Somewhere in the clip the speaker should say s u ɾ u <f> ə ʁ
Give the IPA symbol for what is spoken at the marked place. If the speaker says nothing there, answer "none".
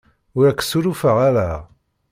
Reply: f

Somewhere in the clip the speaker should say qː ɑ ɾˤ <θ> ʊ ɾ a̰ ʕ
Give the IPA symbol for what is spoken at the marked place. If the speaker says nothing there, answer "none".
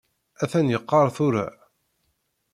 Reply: θ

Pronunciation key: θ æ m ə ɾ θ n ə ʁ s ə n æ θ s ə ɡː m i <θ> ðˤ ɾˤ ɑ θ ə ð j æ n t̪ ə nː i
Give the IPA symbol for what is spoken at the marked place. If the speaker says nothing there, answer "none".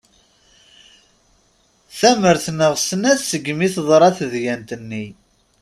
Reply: θ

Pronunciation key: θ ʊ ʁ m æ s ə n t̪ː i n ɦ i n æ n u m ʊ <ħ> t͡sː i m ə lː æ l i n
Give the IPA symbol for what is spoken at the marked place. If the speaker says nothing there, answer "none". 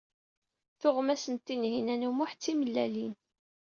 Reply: ħ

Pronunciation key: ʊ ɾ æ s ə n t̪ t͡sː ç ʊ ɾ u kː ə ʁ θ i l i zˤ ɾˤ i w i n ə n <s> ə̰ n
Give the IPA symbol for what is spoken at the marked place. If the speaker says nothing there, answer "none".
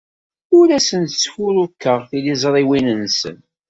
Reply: s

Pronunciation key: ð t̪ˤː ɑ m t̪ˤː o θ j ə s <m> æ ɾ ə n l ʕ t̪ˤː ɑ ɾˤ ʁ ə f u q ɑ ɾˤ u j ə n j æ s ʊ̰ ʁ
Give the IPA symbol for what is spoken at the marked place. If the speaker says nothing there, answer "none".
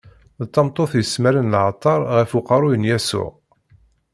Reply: m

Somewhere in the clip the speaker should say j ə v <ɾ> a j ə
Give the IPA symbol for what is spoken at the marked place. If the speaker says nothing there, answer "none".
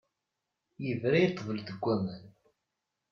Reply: ɾ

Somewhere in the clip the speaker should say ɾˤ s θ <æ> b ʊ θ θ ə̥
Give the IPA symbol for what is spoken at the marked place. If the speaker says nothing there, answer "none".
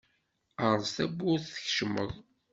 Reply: æ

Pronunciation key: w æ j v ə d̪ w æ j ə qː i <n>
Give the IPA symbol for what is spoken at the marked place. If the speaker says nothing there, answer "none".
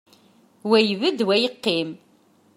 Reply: m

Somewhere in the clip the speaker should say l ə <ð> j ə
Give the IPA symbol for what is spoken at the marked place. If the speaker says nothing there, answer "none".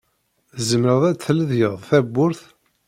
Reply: ð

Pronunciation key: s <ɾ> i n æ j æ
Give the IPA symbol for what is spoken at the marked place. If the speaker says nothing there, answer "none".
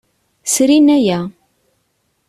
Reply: ɾ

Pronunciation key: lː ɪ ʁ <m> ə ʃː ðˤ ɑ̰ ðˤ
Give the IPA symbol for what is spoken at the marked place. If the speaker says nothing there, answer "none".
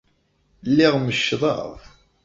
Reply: m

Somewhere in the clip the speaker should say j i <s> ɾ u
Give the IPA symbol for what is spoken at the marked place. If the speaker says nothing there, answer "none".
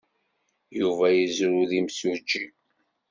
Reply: z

